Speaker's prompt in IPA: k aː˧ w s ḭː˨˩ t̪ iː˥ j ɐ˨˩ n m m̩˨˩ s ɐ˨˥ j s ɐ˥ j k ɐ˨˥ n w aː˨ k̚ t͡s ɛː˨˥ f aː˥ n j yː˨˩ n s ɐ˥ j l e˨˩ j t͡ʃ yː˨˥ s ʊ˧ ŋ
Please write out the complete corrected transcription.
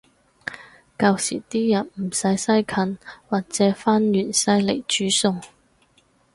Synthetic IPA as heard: k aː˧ w s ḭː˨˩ t̪ iː˥ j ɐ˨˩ n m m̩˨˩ s ɐ˨˥ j s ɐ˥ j kʰ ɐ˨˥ n w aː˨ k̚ t͡s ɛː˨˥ f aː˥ n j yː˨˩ n s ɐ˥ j l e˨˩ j t͡ʃ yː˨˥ s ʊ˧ ŋ